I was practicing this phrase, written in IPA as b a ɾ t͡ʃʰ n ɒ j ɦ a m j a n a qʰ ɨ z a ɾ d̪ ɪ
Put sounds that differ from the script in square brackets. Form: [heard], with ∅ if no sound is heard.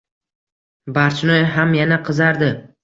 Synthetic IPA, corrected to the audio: b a ɾ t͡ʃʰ n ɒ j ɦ a m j a n a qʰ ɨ z a ɾ d̪ ɪ